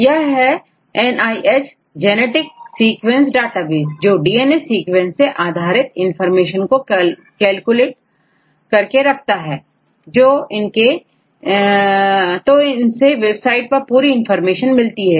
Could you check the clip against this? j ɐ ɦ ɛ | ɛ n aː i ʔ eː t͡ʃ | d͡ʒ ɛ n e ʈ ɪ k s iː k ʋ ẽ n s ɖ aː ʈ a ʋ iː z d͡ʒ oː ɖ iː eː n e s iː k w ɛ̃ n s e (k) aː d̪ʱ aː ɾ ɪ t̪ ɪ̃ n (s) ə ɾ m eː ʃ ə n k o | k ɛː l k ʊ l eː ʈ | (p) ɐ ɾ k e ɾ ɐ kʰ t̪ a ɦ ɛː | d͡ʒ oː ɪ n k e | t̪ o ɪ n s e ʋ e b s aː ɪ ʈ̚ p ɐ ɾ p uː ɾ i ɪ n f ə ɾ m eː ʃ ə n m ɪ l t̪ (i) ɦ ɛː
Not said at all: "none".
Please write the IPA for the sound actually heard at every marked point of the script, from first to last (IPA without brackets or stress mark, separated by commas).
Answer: ʔ, f, k, i